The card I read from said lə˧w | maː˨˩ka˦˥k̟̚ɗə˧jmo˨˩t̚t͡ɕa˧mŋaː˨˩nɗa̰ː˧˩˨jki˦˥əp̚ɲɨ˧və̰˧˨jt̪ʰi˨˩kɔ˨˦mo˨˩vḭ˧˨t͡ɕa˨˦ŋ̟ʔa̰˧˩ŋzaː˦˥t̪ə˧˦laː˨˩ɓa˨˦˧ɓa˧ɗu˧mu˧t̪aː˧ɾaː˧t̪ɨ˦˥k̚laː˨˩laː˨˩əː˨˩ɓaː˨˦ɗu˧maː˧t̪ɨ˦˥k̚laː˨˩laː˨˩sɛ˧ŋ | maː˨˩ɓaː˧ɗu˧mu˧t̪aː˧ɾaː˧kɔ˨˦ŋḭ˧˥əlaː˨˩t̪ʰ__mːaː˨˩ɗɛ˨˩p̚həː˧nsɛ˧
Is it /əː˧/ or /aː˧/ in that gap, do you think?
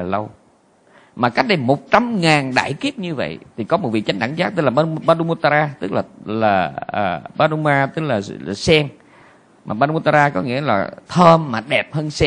əː˧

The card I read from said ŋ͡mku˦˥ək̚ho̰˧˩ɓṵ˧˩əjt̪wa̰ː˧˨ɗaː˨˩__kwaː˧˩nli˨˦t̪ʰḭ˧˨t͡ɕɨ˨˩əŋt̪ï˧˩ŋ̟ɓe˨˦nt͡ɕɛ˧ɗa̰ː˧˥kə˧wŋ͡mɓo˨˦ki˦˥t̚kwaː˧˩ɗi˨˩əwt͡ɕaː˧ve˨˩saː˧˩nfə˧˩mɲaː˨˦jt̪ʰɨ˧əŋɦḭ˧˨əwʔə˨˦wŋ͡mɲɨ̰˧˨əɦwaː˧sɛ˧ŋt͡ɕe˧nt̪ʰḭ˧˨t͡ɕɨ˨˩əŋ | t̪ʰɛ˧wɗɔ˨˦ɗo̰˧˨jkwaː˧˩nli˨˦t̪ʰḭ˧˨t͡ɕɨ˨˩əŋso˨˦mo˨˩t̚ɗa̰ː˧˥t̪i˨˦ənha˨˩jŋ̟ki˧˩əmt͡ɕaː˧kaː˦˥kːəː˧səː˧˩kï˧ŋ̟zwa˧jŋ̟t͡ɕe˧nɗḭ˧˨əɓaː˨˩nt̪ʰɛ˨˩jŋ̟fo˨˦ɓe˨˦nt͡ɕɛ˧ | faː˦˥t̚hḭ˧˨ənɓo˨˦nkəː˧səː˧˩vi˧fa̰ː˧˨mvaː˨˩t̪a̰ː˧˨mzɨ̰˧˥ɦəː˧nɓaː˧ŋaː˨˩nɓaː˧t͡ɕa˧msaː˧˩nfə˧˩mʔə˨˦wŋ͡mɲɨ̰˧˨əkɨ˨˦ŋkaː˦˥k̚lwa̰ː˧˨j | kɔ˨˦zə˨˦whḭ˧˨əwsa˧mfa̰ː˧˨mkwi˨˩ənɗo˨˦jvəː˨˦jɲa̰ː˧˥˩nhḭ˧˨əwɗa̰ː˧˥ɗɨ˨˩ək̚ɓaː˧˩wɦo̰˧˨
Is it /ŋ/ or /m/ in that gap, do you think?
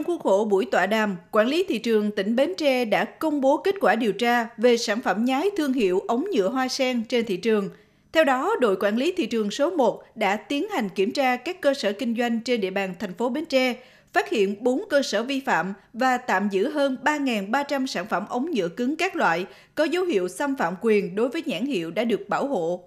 m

